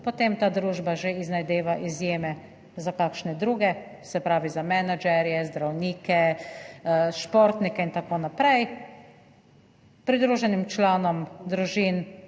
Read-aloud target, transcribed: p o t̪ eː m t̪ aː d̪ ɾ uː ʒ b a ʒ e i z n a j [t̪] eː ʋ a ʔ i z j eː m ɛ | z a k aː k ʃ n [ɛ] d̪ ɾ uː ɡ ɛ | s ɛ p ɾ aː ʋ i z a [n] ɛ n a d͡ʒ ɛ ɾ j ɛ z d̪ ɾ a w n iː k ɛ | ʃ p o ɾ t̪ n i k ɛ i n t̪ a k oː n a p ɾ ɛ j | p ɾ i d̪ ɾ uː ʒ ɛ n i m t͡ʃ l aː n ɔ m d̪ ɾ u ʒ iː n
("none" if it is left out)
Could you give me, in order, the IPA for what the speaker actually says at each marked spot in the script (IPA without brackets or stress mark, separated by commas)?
d̪, ɛ, m